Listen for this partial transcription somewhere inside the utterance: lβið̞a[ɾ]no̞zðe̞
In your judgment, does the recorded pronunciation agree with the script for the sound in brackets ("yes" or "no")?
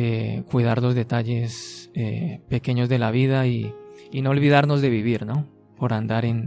yes